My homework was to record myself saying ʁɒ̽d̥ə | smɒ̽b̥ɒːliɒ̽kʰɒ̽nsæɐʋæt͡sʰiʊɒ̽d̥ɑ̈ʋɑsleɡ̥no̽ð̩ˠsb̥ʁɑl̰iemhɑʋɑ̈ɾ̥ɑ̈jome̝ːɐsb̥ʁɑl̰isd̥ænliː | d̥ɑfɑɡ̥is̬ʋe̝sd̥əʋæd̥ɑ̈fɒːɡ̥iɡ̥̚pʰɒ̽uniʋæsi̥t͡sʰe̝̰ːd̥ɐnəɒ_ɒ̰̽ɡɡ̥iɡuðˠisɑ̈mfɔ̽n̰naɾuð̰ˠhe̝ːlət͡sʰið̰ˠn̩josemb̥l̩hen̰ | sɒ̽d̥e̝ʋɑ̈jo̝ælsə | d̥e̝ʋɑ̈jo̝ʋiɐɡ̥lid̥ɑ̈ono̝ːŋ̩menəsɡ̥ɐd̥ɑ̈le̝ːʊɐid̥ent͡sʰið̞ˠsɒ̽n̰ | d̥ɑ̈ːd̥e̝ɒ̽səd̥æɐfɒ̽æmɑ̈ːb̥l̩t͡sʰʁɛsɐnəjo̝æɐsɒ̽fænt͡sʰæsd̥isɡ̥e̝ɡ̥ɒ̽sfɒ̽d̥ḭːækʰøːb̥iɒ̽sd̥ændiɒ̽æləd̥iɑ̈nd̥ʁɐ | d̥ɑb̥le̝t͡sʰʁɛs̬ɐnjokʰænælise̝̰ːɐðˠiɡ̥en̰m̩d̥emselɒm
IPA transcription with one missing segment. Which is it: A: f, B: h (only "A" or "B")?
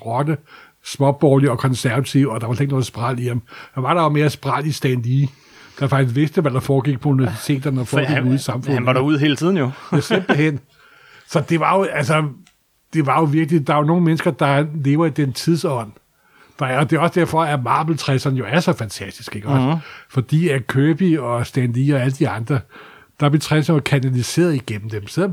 A